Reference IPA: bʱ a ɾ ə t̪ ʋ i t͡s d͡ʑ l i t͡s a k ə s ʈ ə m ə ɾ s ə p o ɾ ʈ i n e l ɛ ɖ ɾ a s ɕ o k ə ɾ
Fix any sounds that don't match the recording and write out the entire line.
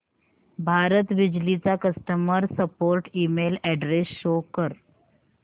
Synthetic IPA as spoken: bʱ a ɾ ə t̪ ʋ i d͡ʑ l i t͡s a k ə s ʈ ə m ə ɾ s ə p o ɾ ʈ i m e l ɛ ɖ ɾ e s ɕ o k ə ɾ